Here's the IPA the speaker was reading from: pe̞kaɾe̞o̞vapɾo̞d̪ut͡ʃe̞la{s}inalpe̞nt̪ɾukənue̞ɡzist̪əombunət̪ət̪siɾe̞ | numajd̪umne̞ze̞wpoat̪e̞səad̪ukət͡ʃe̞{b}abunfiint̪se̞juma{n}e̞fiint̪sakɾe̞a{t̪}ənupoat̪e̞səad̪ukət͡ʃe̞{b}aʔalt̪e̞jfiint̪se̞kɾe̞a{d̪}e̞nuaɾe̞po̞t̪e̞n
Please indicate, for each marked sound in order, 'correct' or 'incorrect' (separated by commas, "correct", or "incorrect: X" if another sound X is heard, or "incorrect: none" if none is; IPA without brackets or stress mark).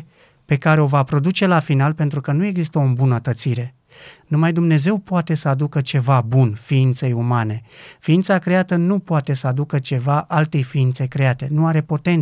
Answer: incorrect: f, incorrect: v, correct, correct, incorrect: v, incorrect: t̪